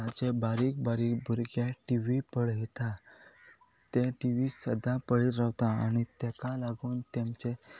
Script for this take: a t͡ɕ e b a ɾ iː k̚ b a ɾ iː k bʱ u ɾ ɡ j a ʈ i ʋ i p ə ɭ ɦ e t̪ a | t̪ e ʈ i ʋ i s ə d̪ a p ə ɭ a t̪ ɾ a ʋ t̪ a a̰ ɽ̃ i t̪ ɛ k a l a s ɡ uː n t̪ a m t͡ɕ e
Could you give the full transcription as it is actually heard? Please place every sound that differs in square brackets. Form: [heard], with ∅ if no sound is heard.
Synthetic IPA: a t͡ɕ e b a ɾ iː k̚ b a ɾ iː k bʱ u ɾ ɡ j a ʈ i ʋ i p ə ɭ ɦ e t̪ a | t̪ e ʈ i ʋ i s ə d̪ a p ə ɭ [i] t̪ ɾ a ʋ t̪ a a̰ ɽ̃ i t̪ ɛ k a l a [∅] ɡ uː n t̪ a m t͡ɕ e

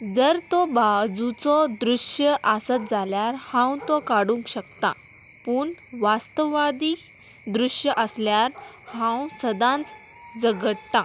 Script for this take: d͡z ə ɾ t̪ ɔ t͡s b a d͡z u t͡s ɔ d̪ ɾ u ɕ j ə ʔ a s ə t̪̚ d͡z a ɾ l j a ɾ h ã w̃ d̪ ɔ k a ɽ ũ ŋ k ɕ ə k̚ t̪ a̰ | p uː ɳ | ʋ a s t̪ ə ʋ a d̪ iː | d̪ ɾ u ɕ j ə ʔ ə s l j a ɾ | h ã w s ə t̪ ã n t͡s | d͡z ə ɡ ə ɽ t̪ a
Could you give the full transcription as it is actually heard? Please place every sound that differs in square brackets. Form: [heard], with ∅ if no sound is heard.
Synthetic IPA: d͡z ə ɾ t̪ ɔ [∅] b a d͡z u t͡s ɔ d̪ ɾ u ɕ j ə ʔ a s ə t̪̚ d͡z a [∅] l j a ɾ h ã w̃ [t̪] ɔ k a ɽ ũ ŋ k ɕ ə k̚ t̪ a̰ | p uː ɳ | ʋ a s t̪ ə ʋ a d̪ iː | d̪ ɾ u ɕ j ə ʔ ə s l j a ɾ | h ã w s ə [d̪] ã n t͡s | d͡z ə ɡ ə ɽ t̪ a

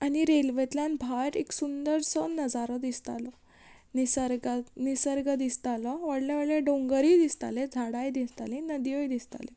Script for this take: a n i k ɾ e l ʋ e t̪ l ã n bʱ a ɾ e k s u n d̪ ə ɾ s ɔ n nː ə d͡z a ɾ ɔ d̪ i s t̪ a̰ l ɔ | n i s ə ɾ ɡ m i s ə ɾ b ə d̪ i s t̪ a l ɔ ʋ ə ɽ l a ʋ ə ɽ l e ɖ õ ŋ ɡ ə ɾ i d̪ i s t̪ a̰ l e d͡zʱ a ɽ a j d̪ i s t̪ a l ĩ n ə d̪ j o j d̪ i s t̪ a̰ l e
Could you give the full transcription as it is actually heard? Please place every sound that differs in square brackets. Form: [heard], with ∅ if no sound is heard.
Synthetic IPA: a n i [∅] ɾ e l ʋ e t̪ l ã n bʱ a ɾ e k s u n d̪ ə ɾ s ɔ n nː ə d͡z a ɾ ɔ d̪ i s t̪ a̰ l ɔ | n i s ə ɾ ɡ [n] i s ə ɾ [ɡ] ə d̪ i s t̪ a l ɔ ʋ ə ɽ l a ʋ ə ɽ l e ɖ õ ŋ ɡ ə ɾ i d̪ i s t̪ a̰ l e d͡zʱ a ɽ a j d̪ i s t̪ a l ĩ n ə d̪ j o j d̪ i s t̪ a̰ l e

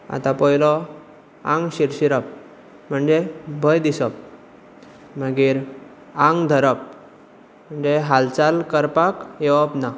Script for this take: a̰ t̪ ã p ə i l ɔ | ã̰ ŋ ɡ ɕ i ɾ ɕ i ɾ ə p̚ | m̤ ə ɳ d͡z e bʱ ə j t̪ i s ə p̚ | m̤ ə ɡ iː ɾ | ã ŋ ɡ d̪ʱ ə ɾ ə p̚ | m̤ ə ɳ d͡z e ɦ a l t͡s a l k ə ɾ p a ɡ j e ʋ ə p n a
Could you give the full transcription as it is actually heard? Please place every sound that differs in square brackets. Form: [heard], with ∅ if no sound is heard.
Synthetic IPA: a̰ t̪ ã p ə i l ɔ | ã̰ ŋ ɡ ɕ i ɾ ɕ i ɾ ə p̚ | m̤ ə ɳ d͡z e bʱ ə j [d̪] i s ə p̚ | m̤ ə ɡ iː ɾ | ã ŋ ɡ d̪ʱ ə ɾ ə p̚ | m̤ ə ɳ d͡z e ɦ a l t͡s a l k ə ɾ p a [k] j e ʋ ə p n a

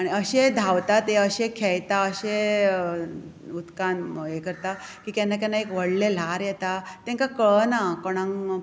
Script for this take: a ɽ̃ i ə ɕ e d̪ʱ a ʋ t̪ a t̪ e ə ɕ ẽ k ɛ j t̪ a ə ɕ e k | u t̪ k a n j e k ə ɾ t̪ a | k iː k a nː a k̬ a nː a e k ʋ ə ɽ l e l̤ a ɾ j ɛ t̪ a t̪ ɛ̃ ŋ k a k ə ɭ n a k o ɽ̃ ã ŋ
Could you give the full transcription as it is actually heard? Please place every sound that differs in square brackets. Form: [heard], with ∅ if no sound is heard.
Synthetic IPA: a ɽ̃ i ə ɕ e d̪ʱ a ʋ t̪ a t̪ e ə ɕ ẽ [kʰ] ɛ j t̪ a ə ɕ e [∅] | u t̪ k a n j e k ə ɾ t̪ a | k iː k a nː a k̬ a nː a e k ʋ ə ɽ l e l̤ a ɾ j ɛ t̪ a t̪ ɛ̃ ŋ k a k ə ɭ n a k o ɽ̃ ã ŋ

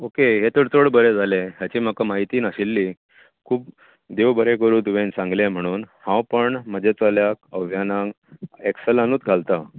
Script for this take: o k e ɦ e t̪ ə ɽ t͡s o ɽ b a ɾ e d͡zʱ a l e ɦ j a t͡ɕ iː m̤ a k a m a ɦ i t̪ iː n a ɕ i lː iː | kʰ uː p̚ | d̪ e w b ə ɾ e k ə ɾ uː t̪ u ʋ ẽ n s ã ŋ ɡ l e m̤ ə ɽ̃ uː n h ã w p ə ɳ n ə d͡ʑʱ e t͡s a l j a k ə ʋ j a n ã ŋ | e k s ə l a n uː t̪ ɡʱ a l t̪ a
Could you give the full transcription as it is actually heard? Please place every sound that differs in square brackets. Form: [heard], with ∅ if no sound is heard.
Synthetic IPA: o k e ɦ e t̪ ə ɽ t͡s o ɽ b [ə] ɾ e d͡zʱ a l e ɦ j a t͡ɕ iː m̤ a k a m a ɦ i t̪ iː n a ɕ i lː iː | kʰ uː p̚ | d̪ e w b ə ɾ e k ə ɾ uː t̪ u ʋ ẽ n s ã ŋ ɡ l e m̤ ə ɽ̃ uː n h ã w p ə ɳ [m] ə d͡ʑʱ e t͡s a l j a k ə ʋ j a n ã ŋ | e k s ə l a n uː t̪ ɡʱ a l t̪ a

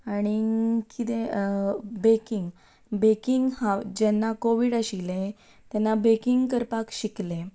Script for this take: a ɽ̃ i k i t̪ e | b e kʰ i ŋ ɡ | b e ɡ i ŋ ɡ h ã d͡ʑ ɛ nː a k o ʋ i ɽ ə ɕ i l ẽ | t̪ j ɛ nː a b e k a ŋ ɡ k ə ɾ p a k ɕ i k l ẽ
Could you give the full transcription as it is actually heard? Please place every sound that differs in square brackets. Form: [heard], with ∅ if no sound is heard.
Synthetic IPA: a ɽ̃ i k i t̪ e | b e [k] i ŋ ɡ | b e [k] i ŋ ɡ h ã d͡ʑ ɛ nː a k o ʋ i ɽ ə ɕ i l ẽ | t̪ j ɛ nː a b e k [i] ŋ ɡ k ə ɾ p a k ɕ i k l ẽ

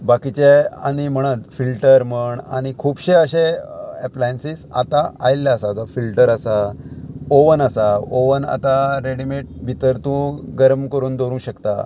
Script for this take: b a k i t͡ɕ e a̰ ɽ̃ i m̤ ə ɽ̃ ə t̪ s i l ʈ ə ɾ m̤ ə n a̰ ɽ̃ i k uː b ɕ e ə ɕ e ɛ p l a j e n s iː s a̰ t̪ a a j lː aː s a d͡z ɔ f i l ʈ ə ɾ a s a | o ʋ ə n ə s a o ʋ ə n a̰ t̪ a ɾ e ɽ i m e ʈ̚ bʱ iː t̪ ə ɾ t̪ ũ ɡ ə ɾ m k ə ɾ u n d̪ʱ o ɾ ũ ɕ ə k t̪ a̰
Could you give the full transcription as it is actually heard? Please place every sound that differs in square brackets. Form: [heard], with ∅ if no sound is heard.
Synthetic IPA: b a k i t͡ɕ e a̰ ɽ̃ i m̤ ə ɽ̃ ə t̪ [f] i l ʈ ə ɾ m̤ ə [ɳ] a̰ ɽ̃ i [kʰ] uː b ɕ e ə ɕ e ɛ p l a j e n s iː s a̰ t̪ a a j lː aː s a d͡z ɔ f i l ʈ ə ɾ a s a | o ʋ ə n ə s a o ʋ ə n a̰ t̪ a ɾ e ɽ i m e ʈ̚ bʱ [i] t̪ ə ɾ t̪ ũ ɡ ə ɾ m k ə ɾ [uː] n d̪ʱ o ɾ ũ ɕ ə k t̪ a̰

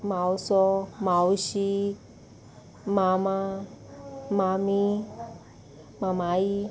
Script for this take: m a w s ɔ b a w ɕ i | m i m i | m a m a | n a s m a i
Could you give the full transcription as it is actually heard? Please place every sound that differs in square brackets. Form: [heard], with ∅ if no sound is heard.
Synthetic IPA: m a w s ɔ [m] a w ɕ i | m [a] m [a] | m a m [i] | [m] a [∅] m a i

